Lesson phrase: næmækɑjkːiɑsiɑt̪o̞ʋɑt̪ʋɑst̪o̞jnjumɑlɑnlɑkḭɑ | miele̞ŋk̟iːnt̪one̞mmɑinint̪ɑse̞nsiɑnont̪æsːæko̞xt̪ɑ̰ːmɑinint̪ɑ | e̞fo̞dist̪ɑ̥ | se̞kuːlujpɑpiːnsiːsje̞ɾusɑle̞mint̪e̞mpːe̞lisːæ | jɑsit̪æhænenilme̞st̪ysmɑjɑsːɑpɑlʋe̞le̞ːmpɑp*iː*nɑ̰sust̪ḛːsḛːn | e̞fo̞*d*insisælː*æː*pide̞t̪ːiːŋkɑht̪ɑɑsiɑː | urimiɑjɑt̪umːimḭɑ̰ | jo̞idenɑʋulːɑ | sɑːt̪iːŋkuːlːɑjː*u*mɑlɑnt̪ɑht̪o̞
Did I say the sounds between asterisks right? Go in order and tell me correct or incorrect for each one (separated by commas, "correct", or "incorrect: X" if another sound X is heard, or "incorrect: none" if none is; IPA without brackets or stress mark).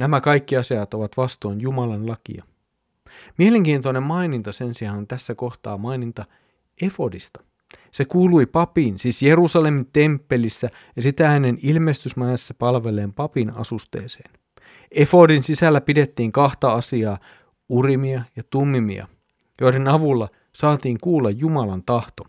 incorrect: i, correct, incorrect: æ, correct